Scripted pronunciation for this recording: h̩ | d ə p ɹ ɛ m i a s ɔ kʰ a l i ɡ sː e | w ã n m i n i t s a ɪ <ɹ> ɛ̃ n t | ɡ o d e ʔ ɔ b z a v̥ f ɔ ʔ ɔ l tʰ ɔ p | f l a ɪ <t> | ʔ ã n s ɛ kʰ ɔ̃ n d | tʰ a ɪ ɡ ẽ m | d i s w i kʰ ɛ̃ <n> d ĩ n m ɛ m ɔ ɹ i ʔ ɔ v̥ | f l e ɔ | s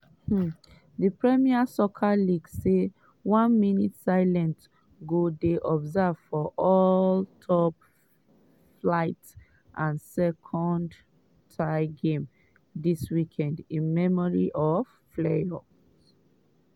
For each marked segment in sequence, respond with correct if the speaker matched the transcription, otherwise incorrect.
incorrect: l, correct, correct

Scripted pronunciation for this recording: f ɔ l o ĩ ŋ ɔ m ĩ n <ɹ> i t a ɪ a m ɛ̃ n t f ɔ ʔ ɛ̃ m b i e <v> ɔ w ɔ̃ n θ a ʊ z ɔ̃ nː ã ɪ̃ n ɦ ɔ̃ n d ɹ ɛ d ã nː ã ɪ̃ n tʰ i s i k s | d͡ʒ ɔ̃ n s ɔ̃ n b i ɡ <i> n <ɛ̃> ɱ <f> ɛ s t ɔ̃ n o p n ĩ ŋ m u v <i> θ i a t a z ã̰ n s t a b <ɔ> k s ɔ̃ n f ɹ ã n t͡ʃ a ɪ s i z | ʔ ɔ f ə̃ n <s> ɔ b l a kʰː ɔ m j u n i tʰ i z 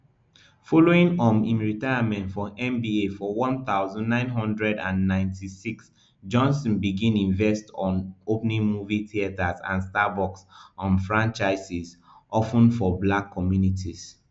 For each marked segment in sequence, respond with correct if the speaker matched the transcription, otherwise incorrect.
correct, incorrect: f, incorrect: ĩ, incorrect: ĩ, incorrect: v, correct, correct, incorrect: f

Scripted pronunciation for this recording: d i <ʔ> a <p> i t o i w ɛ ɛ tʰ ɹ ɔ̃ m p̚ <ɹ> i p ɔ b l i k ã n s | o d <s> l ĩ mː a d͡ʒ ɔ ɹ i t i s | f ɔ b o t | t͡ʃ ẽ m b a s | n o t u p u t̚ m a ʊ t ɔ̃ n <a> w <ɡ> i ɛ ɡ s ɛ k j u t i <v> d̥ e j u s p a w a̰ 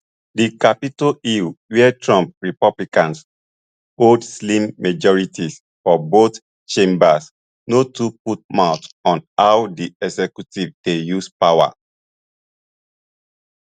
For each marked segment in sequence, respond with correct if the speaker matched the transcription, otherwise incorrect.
incorrect: k, correct, correct, correct, correct, incorrect: d, correct

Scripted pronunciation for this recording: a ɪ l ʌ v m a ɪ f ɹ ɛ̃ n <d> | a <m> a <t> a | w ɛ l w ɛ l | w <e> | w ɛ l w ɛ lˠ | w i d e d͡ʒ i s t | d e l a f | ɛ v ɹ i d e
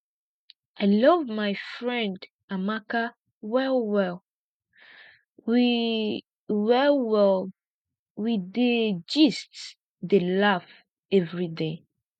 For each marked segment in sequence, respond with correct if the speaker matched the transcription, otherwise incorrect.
correct, correct, incorrect: k, incorrect: i

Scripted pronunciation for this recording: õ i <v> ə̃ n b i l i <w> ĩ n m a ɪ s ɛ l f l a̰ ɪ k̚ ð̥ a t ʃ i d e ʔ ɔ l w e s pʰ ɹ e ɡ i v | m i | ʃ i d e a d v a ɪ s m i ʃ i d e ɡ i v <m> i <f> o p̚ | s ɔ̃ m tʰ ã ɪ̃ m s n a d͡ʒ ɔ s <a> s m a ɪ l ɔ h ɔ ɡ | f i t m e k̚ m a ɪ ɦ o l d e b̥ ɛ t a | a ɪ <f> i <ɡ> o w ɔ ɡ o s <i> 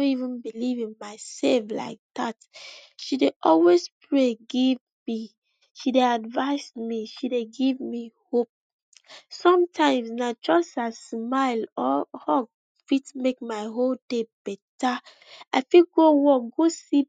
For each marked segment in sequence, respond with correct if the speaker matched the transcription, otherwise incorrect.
correct, incorrect: v, correct, incorrect: h, correct, correct, correct, correct

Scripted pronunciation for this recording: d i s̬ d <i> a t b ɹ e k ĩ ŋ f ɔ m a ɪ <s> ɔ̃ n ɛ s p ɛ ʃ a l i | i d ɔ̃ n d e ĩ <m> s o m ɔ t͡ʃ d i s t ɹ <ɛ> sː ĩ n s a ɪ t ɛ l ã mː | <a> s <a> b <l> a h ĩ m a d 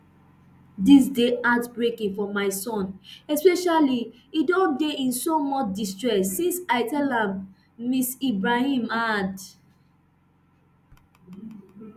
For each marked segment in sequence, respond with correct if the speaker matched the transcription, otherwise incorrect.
incorrect: e, correct, incorrect: n, correct, incorrect: i, incorrect: i, incorrect: ɹ

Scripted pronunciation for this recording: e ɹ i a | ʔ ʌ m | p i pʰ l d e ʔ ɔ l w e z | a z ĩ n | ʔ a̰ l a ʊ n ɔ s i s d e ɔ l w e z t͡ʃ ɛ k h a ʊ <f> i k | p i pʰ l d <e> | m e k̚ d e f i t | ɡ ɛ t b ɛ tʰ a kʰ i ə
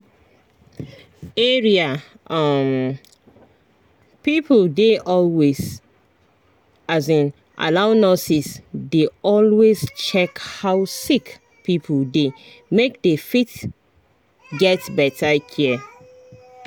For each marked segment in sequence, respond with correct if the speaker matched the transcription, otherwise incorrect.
incorrect: s, correct

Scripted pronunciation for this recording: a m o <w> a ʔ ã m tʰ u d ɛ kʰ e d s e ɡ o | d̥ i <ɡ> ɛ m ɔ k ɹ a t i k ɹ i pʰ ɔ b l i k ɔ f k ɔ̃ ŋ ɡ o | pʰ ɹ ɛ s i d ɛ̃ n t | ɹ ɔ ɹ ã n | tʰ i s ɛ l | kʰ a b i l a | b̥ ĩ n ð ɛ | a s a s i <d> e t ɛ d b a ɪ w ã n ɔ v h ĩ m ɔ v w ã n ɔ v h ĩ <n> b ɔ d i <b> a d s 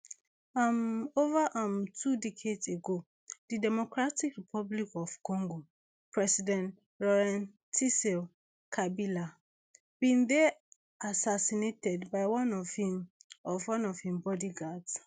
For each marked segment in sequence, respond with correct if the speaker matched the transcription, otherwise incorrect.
incorrect: v, incorrect: d, incorrect: n, incorrect: m, incorrect: ɡ

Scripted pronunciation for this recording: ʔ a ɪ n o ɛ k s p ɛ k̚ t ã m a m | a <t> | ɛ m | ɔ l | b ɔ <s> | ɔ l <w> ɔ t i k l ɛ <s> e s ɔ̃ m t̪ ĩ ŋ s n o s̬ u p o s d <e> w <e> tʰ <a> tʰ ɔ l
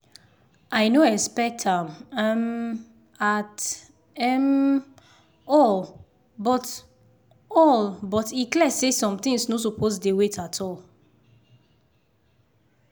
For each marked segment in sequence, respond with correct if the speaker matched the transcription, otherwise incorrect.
correct, incorrect: t, incorrect: b, correct, correct, correct, correct

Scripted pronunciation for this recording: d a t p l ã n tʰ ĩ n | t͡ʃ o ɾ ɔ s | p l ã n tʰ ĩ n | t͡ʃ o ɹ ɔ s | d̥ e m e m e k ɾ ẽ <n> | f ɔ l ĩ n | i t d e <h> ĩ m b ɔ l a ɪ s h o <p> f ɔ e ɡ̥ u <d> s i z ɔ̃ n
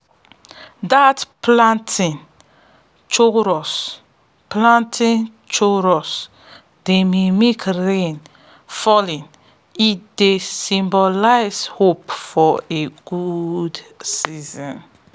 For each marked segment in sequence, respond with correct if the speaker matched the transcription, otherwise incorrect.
correct, incorrect: s, correct, correct

